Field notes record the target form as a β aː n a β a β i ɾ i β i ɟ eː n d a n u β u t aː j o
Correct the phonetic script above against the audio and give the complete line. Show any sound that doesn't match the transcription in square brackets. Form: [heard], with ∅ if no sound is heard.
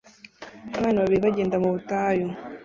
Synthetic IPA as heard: a β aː n a β a β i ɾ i β [a] ɟ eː n d a [m] u β u t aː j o